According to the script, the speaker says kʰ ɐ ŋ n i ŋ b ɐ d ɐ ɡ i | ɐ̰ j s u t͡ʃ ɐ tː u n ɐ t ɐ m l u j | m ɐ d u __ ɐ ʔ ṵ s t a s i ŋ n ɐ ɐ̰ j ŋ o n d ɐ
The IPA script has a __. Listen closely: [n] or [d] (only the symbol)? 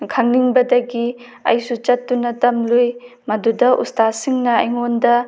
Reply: d